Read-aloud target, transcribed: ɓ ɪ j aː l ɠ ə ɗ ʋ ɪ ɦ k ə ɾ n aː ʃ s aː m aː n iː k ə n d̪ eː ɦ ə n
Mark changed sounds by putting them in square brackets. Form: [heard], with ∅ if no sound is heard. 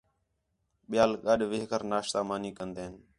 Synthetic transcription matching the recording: ɓ ɪ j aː l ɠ ə ɗ ʋ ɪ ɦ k ə ɾ n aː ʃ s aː m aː n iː k ə n d̪ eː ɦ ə n